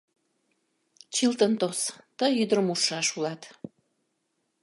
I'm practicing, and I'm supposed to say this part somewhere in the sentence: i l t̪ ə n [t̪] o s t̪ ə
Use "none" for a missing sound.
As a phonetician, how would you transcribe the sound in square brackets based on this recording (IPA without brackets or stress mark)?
t̪